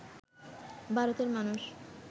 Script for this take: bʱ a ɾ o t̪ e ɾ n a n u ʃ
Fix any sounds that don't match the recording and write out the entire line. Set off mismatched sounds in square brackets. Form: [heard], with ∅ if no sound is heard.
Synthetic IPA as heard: bʱ a ɾ o t̪ e ɾ [m] a n u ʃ